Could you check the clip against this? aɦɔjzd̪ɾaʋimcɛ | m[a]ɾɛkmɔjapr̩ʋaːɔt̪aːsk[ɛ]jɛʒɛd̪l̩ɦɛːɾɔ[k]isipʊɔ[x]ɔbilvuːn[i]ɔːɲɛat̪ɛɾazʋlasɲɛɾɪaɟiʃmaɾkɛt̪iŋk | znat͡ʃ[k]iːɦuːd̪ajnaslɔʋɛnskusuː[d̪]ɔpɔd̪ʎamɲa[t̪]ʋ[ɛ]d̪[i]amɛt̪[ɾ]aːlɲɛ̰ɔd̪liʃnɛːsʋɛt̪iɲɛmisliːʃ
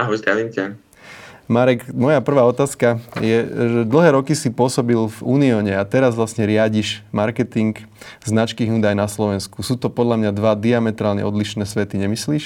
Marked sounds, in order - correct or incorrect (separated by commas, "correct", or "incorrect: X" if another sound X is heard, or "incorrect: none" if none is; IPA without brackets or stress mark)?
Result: correct, incorrect: a, correct, incorrect: s, correct, correct, incorrect: t̪, incorrect: d̪, incorrect: a, correct, correct